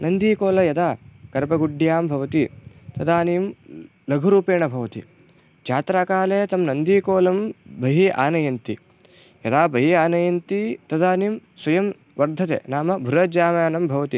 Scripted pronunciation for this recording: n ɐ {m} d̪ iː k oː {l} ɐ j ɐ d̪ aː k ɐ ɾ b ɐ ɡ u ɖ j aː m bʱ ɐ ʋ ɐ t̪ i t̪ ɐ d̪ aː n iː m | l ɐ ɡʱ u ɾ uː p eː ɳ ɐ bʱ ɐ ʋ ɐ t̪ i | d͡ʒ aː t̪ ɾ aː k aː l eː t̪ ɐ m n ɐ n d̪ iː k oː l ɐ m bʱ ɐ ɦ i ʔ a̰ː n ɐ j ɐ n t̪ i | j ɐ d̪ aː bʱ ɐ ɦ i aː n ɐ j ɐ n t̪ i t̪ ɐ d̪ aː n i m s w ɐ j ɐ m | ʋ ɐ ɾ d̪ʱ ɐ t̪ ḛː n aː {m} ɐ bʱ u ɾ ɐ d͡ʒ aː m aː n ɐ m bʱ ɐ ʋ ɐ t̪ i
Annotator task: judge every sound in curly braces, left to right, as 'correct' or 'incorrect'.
incorrect: n, correct, correct

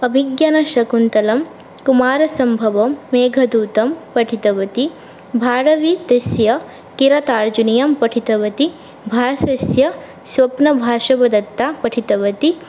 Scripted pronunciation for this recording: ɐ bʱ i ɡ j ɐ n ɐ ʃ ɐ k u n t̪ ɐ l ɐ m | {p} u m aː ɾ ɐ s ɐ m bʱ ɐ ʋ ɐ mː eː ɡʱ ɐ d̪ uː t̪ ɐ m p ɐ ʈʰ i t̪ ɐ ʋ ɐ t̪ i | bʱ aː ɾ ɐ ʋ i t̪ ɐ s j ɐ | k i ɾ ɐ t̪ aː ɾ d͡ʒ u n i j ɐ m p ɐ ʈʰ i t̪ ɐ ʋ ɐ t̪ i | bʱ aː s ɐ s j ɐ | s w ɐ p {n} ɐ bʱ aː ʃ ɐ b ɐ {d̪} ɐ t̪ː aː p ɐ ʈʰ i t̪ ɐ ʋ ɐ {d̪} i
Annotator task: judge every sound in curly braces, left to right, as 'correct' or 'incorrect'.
incorrect: k, correct, correct, incorrect: t̪

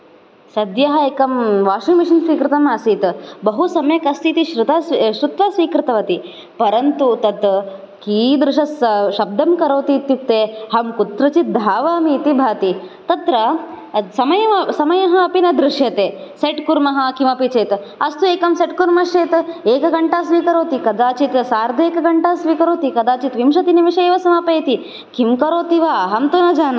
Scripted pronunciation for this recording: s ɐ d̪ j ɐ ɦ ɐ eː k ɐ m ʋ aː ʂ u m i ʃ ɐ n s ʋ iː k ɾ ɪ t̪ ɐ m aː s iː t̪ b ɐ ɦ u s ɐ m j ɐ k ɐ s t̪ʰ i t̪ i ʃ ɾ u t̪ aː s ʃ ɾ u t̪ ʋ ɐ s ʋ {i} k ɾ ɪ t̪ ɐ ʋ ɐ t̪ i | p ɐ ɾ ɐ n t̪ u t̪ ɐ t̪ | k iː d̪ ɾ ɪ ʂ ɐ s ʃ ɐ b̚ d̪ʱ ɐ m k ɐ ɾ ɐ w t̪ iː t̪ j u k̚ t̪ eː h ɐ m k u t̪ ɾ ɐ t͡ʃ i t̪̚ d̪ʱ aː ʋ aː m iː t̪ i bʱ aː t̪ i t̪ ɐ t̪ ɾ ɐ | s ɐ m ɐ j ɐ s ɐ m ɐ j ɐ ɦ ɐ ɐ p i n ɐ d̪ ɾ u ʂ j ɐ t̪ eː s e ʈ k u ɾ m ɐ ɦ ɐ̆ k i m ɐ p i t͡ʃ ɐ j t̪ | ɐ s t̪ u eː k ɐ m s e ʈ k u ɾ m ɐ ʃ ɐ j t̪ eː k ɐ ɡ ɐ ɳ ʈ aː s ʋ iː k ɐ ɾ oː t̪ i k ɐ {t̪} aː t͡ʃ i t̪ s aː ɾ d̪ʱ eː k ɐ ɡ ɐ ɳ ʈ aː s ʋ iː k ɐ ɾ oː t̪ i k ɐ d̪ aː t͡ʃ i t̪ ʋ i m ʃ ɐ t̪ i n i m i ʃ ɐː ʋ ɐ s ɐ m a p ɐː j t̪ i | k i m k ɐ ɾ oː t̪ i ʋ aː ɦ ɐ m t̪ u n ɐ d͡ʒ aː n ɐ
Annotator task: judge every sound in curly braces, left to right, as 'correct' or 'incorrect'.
incorrect: iː, incorrect: d̪

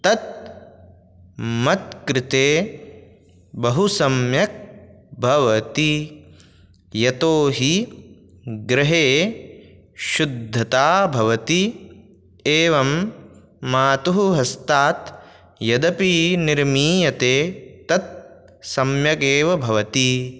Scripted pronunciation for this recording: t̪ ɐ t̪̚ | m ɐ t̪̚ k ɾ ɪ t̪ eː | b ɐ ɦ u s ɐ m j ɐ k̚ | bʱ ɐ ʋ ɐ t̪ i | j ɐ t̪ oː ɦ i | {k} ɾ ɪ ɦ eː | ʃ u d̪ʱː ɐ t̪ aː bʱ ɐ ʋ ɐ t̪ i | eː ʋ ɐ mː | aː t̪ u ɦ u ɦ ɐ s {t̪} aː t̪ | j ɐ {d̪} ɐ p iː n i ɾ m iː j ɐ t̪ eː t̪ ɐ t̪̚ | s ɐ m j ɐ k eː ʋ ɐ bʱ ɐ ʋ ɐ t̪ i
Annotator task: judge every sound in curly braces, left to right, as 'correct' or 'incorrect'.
incorrect: ɡ, correct, correct

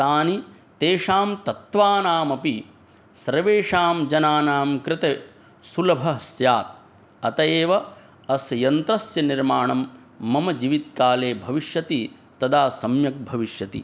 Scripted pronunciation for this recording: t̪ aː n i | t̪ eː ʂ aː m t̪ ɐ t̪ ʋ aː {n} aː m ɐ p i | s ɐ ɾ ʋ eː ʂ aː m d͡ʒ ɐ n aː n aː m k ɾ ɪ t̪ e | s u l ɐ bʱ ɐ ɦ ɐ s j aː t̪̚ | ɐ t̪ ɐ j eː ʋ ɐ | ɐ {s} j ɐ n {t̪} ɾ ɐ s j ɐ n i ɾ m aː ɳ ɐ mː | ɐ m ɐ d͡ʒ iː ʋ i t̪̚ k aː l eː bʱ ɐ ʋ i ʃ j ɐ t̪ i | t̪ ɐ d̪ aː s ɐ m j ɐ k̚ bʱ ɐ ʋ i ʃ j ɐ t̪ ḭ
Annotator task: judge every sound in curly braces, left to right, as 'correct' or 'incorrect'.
correct, correct, correct

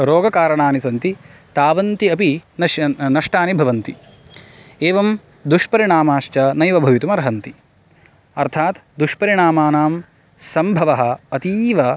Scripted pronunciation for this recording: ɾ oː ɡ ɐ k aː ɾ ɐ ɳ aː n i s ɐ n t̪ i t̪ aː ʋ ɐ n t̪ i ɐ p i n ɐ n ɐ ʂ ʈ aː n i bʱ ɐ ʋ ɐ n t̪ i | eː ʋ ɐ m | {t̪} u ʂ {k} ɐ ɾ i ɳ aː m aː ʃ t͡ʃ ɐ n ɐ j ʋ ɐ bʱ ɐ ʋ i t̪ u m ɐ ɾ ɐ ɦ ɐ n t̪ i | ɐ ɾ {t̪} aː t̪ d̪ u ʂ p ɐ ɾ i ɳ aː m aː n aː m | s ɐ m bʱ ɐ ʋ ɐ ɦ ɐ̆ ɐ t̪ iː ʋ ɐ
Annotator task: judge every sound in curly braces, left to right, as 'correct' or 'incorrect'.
incorrect: d̪, incorrect: p, incorrect: t̪ʰ

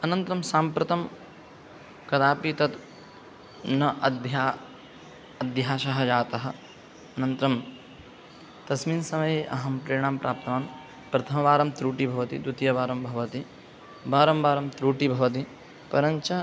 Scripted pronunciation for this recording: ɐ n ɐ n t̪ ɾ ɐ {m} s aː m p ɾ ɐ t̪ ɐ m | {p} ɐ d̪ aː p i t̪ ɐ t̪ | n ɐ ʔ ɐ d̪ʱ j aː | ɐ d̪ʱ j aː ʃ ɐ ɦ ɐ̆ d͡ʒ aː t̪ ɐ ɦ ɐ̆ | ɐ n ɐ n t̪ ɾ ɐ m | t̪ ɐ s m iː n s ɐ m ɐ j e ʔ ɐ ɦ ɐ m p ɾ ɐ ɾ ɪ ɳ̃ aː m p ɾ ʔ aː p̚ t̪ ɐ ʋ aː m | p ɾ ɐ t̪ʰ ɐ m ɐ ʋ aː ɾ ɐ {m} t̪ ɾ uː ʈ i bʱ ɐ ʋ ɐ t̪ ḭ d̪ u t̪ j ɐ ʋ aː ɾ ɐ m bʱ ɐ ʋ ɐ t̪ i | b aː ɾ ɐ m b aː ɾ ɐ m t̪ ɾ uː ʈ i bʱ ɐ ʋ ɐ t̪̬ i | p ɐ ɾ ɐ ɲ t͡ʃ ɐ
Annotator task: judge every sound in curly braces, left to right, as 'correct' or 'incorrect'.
correct, incorrect: k, correct

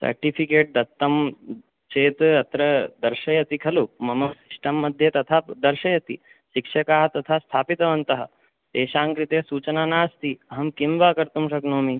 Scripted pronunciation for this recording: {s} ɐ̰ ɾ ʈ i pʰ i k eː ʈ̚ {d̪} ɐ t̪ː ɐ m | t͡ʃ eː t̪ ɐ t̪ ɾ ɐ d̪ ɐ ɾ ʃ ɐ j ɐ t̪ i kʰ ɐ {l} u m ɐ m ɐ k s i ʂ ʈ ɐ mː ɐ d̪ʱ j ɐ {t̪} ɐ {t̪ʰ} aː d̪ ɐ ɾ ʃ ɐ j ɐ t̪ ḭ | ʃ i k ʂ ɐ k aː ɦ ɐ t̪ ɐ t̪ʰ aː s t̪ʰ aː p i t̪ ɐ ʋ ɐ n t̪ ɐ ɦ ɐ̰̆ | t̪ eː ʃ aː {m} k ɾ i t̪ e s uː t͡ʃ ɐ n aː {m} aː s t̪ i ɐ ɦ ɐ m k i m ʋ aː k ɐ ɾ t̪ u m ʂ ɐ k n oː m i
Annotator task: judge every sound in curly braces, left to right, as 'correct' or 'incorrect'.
correct, correct, correct, correct, correct, incorrect: ŋ, incorrect: n

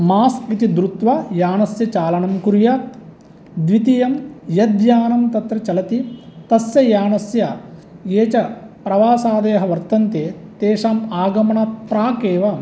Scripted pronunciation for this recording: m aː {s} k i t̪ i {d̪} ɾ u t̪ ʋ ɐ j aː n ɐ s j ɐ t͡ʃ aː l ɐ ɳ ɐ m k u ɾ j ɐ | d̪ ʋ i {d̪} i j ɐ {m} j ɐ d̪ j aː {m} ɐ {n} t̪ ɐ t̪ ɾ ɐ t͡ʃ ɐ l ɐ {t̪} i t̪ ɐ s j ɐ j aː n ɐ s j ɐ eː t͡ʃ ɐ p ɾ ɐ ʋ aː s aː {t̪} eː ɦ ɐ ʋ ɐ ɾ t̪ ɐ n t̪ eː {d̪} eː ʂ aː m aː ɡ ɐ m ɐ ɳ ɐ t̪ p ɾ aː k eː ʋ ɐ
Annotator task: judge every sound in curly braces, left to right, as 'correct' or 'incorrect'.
correct, correct, incorrect: t̪, correct, incorrect: n, incorrect: m, correct, incorrect: d̪, incorrect: t̪

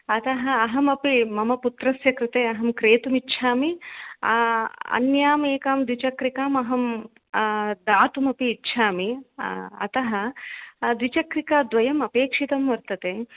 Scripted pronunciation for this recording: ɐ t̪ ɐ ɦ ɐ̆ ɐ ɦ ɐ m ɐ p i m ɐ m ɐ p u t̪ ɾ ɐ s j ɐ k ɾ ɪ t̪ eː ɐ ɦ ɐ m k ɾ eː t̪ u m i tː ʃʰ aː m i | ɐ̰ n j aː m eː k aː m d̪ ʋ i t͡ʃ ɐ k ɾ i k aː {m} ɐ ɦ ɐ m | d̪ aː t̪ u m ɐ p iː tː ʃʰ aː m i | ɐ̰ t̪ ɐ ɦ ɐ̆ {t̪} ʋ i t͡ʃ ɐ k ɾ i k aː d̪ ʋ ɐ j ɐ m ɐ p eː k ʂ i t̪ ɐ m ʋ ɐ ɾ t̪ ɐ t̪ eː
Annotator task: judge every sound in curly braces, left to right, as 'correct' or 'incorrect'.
correct, incorrect: d̪

